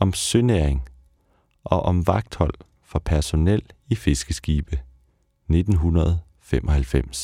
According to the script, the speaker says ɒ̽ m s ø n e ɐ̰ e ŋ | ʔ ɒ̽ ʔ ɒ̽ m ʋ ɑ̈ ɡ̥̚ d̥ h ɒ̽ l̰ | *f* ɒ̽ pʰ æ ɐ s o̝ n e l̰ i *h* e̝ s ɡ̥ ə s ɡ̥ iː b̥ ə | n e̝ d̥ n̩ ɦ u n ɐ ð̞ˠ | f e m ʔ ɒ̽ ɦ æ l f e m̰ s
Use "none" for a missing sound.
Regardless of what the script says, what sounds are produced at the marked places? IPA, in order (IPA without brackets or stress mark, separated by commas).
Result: f, f